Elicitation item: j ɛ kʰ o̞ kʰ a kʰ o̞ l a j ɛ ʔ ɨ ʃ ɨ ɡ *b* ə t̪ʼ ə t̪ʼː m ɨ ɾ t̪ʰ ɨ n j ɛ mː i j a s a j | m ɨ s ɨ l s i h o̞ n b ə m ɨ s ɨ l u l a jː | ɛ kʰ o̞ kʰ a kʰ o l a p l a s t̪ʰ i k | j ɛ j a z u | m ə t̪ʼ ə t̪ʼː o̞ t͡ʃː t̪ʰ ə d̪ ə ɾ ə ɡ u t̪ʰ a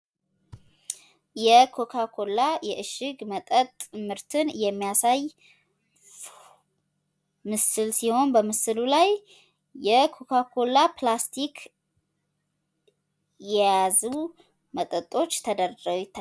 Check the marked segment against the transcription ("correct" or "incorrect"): incorrect